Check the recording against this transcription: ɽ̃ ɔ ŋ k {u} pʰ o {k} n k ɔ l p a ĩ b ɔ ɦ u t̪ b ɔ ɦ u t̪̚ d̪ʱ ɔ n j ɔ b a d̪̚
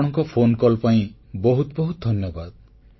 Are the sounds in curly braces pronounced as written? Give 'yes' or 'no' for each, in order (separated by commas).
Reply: no, no